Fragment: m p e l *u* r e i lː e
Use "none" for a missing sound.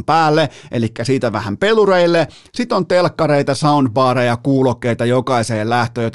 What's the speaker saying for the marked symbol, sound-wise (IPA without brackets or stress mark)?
u